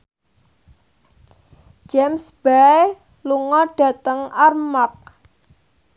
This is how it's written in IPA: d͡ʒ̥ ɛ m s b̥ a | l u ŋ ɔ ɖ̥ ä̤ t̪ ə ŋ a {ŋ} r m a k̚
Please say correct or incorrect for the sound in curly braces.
incorrect